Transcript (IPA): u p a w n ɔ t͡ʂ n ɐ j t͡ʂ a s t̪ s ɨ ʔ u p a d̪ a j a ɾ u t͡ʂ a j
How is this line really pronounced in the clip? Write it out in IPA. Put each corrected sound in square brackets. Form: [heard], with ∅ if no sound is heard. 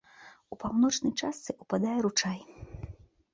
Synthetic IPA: u p a w n ɔ t͡ʂ n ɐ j t͡ʂ a s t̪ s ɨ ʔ u p a d̪ a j [ɛ] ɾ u t͡ʂ a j